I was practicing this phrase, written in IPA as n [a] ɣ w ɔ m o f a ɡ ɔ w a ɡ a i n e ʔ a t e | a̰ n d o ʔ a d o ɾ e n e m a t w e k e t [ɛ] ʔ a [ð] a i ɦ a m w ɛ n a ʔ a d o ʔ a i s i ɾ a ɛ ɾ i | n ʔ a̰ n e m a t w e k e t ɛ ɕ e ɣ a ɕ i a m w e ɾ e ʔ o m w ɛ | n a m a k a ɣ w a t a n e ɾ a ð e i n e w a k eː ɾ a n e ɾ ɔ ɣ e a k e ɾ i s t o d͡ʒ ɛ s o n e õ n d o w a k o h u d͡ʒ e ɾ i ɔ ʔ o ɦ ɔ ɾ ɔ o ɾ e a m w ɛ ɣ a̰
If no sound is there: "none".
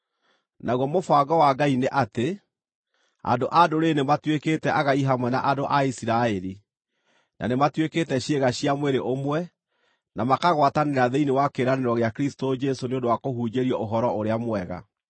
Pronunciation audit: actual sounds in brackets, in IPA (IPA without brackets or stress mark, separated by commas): a, ɛ, ɣ